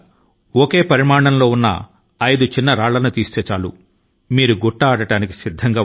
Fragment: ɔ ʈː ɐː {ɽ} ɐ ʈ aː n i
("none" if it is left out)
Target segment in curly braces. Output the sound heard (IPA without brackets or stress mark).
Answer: ɽ